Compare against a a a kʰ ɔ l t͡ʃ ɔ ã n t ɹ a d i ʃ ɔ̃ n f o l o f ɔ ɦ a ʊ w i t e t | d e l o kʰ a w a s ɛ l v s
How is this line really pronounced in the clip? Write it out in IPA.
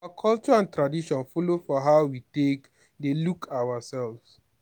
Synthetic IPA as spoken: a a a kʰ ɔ l t͡ʃ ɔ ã n t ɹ a d i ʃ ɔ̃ n f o l o f ɔ ɦ a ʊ w i t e k | d e l u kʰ a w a s ɛ l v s

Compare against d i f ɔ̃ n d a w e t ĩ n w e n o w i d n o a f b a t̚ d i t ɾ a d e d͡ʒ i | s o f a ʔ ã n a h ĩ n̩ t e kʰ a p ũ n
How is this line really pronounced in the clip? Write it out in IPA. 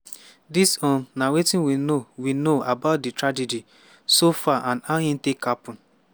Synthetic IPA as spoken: d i s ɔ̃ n n a w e t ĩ n w i n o w i n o a b a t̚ d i t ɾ a d͡ʒ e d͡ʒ i | s o f a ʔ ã n a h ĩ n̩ t e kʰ a p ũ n

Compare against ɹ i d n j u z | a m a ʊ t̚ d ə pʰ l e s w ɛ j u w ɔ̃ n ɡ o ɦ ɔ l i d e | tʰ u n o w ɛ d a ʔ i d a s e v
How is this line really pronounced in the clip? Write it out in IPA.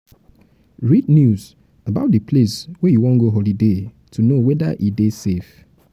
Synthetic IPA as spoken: ɹ i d n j u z | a b a ʊ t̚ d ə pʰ l e s w ɛ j u w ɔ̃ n ɡ o ɦ ɔ l i d e | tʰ u n o w ɛ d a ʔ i d e s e f

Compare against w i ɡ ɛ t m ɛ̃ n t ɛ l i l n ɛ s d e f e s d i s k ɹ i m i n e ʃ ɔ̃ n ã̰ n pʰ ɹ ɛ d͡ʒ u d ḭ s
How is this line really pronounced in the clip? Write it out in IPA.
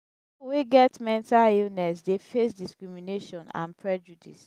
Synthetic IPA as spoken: w i ɡ ɛ t m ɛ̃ n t a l i l n ɛ s d e f e s d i s k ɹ i m i n e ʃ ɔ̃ n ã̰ n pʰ ɹ ɛ d͡ʒ u d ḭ s

